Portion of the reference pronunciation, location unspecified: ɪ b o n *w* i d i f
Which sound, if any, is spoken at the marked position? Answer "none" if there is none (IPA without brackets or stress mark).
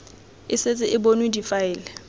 w